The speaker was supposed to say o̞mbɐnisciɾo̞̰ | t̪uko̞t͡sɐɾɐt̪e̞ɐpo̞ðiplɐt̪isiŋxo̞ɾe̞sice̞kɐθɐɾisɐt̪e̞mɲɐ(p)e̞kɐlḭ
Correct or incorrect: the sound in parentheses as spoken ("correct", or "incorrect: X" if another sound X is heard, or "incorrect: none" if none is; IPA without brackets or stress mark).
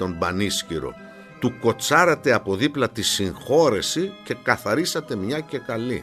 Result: incorrect: c